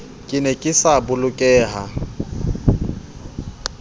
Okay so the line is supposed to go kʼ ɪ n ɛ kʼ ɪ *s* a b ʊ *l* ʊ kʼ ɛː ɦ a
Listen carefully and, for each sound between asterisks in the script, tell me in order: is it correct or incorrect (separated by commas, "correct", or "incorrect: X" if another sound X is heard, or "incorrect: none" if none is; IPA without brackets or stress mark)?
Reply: correct, correct